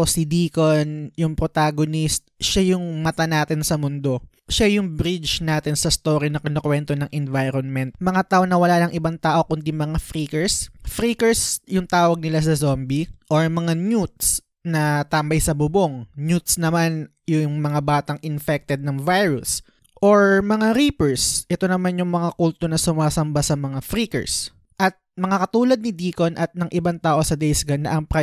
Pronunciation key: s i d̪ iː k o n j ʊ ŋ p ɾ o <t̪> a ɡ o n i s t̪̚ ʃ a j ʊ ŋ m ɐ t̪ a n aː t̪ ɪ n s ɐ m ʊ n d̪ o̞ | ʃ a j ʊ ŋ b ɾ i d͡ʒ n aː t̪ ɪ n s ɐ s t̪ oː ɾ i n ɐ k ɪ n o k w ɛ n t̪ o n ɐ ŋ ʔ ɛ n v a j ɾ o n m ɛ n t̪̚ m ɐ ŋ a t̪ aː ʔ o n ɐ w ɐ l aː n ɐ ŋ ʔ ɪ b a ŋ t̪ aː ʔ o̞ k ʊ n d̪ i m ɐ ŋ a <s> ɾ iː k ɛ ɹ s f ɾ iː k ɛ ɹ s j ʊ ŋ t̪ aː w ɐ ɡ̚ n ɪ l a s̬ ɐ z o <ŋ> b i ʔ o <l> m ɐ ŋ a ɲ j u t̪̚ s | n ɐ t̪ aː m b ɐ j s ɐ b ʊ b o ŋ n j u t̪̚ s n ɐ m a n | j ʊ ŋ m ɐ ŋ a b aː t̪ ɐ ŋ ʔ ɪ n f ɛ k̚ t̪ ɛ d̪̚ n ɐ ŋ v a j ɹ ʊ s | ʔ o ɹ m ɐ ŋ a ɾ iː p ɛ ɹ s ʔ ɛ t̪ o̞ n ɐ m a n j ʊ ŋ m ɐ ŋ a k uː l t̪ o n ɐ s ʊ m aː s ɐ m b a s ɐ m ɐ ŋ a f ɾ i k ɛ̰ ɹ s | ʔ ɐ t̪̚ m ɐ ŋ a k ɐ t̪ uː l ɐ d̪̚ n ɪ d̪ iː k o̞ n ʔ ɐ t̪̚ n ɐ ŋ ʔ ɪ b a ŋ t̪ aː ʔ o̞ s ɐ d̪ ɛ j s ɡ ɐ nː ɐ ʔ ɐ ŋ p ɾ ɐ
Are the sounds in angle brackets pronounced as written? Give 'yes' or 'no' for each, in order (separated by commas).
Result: yes, no, no, no